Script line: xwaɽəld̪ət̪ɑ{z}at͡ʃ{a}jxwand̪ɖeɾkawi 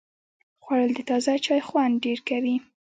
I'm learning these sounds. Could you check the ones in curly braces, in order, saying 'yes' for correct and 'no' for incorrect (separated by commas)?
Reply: yes, no